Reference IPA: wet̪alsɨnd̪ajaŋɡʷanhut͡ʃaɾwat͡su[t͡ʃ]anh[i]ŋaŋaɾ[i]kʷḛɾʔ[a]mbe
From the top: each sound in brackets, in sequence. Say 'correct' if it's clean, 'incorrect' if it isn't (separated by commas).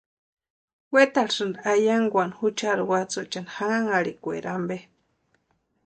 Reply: correct, incorrect, correct, correct